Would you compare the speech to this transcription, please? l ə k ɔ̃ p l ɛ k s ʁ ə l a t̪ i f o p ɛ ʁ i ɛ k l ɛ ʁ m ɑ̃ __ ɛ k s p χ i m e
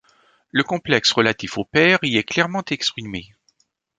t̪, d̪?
t̪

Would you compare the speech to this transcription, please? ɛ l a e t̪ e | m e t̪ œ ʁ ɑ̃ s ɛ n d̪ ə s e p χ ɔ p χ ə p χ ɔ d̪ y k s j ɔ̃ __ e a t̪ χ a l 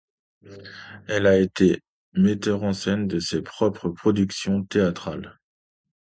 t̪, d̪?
t̪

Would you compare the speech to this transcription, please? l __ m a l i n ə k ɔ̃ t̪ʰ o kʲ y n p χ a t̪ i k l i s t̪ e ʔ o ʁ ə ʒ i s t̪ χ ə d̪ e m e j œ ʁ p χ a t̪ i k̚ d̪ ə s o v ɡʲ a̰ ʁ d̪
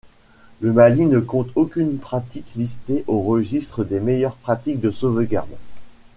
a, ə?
ə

